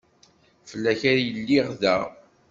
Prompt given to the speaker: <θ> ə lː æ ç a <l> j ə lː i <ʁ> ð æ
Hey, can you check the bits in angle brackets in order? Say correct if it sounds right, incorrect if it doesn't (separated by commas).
incorrect, incorrect, correct